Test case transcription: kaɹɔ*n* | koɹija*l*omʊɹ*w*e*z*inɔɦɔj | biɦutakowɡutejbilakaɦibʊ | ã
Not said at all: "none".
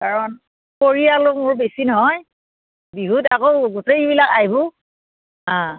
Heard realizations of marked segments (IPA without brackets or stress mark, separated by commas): n, l, b, s